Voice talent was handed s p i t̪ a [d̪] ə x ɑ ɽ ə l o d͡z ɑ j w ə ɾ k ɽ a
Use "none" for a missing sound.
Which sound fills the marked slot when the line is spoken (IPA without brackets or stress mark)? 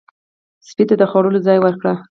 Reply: d̪